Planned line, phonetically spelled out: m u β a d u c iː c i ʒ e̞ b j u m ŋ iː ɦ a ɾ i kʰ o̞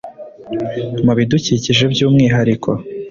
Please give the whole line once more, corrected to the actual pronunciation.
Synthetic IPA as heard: m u β i d u c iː c i ʒ e̞ b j uː m ŋ iː ɦ a ɾ i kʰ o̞